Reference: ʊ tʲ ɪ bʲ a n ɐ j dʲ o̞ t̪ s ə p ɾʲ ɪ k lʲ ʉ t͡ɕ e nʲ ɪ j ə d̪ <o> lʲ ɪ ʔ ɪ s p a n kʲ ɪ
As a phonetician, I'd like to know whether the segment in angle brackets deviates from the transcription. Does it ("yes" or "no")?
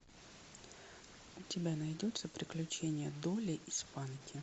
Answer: no